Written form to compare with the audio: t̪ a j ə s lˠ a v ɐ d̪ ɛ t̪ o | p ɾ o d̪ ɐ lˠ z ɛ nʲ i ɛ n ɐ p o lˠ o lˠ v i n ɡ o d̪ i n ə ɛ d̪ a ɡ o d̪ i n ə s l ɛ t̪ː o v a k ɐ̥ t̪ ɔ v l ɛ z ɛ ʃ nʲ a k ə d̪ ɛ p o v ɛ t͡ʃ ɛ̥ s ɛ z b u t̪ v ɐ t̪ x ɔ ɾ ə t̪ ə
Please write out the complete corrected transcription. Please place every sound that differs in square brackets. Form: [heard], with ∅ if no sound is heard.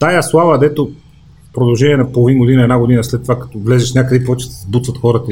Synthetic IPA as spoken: t̪ a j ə s lˠ a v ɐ d̪ ɛ t̪ o | p ɾ o d̪ ɐ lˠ [ʒ] ɛ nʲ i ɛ n ɐ p o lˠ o [∅] v i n ɡ o d̪ i n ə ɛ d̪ a ɡ o d̪ i n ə s l ɛ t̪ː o v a k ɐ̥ t̪ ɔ v l ɛ z ɛ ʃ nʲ a k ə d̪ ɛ p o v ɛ t͡ʃ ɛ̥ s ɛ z b u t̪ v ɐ t̪ x ɔ ɾ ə t̪ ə